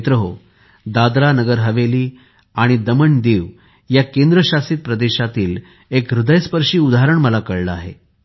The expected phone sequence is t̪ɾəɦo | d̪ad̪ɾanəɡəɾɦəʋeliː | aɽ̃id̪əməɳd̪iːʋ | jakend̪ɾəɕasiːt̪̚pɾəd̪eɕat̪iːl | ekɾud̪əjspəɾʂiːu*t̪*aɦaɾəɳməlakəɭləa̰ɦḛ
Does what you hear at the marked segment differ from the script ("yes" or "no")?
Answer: yes